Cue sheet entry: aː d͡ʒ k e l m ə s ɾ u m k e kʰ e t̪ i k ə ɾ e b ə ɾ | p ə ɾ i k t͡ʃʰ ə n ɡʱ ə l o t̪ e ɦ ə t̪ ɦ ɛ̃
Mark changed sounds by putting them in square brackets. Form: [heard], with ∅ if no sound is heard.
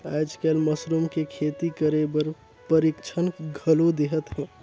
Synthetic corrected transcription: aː d͡ʒ k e l m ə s ɾ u m k e kʰ e t̪ i k ə ɾ e b ə ɾ | p ə ɾ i k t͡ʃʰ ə n ɡʱ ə l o [d̪] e ɦ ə t̪ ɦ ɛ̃